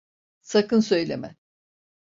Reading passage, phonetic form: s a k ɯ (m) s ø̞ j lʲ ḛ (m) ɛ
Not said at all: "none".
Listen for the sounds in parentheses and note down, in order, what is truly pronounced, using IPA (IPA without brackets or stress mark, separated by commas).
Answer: n, m